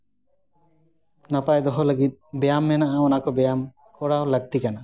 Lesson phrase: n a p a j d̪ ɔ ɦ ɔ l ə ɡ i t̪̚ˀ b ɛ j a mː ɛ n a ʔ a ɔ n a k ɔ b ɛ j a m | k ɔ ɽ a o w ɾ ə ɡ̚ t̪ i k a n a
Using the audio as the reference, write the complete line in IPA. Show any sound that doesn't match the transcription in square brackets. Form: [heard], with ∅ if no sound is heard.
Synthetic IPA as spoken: n a p a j d̪ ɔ ɦ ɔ l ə ɡ i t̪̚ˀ b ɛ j a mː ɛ n a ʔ a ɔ n a k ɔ b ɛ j a m | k ɔ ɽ a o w [l] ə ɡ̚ t̪ i k a n a